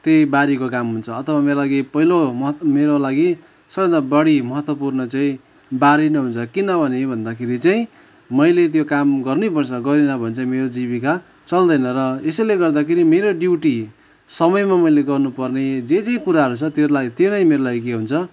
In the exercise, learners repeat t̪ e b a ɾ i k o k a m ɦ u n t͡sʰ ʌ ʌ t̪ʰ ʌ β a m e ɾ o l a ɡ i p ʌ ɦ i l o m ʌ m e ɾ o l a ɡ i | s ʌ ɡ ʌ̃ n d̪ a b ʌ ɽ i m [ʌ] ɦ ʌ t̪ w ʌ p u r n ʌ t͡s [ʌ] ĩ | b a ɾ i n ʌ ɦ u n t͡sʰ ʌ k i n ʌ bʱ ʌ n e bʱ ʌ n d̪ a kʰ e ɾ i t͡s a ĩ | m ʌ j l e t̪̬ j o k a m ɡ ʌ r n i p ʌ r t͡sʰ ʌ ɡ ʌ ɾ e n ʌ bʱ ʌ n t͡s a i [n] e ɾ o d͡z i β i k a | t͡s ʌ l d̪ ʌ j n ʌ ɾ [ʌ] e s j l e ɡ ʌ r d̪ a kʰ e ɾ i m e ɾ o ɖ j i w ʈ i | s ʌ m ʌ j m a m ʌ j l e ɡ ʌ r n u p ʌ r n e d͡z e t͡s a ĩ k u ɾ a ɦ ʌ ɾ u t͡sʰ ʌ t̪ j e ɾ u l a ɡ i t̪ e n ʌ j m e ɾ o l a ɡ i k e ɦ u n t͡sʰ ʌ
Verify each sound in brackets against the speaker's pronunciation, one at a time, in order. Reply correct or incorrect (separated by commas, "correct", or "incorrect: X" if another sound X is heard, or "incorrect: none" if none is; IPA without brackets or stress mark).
correct, incorrect: a, incorrect: m, correct